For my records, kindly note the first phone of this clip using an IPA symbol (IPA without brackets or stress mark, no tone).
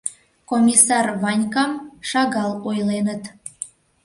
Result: k